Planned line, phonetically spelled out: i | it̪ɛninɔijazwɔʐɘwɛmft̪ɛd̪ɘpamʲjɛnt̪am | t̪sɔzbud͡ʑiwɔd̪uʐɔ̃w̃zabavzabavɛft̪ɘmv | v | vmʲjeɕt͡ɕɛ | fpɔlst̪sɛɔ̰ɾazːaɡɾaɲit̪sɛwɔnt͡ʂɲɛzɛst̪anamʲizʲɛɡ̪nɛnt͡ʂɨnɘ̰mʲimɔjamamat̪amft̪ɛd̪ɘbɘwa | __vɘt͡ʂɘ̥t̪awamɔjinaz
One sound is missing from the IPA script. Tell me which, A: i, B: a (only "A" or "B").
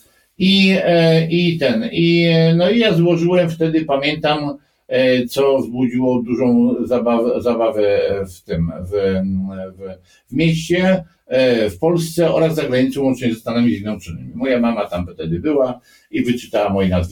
A